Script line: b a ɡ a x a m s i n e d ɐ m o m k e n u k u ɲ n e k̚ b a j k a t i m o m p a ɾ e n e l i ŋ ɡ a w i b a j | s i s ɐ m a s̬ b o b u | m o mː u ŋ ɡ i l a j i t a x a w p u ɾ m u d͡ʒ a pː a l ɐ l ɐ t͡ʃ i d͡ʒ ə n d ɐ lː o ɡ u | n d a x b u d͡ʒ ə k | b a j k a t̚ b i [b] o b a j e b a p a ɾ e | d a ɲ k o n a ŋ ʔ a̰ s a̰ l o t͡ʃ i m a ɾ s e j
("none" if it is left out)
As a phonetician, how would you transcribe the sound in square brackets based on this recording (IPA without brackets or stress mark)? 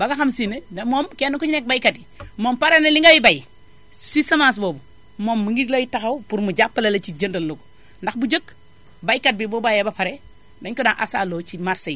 b